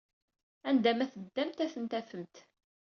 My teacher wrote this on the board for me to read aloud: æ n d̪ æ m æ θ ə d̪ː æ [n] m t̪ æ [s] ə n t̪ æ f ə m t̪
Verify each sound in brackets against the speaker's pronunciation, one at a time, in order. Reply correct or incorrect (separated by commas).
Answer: incorrect, incorrect